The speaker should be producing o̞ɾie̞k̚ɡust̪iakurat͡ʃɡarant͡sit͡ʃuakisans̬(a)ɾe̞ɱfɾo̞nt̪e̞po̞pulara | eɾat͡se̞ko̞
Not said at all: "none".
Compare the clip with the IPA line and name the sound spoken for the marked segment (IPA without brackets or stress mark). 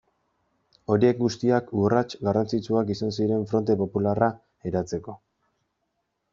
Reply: i